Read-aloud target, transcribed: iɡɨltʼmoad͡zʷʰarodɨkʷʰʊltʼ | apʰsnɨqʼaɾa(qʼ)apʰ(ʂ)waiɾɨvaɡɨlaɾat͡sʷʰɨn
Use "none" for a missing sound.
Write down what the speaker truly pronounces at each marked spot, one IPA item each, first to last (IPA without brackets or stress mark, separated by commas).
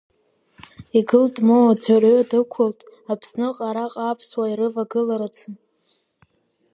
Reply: qʼ, s